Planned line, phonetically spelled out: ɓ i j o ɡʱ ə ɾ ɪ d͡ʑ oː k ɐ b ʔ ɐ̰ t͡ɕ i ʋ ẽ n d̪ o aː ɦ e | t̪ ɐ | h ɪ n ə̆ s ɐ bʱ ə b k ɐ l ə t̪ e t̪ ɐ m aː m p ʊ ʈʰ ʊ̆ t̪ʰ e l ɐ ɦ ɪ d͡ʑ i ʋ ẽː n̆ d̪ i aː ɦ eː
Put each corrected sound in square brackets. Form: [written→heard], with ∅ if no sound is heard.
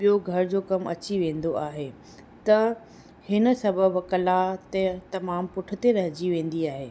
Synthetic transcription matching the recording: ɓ i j o ɡʱ [ə→ɐ] ɾ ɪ d͡ʑ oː k ɐ [b→m] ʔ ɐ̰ t͡ɕ i ʋ [ẽ→ẽː] n d̪ o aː ɦ e | t̪ ɐ | h ɪ n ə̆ s ɐ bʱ ə b k ɐ l [ə→a] t̪ e t̪ ɐ m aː m p ʊ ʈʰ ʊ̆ [t̪ʰ→t̪] e [l→ɾ] ɐ ɦ ɪ d͡ʑ i ʋ ẽː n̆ d̪ i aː ɦ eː